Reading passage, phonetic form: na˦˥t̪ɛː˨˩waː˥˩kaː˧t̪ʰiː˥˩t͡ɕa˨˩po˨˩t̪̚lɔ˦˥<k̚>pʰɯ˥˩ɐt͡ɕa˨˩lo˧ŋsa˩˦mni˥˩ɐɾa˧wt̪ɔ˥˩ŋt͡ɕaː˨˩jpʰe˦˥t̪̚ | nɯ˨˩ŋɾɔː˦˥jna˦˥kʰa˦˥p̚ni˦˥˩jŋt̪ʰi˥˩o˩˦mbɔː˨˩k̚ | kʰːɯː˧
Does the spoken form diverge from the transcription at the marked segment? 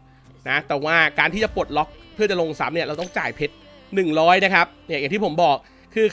no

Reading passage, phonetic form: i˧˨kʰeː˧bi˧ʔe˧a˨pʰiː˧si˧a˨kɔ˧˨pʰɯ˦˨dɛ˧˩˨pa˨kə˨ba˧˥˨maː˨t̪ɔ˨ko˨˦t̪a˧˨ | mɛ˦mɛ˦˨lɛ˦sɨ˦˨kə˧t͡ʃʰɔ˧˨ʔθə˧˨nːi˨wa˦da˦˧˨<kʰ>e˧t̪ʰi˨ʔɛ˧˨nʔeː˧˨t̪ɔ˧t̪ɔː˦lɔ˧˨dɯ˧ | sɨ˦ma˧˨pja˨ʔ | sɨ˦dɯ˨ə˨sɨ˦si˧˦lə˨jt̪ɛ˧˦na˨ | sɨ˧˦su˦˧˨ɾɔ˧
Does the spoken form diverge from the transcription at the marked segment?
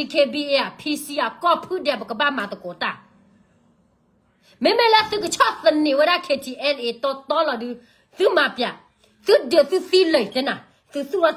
no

